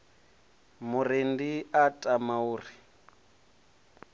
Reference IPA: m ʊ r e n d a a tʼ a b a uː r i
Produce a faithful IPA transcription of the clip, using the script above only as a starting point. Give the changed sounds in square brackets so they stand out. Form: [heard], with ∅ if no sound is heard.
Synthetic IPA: m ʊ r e n d [i] a tʼ a [m] a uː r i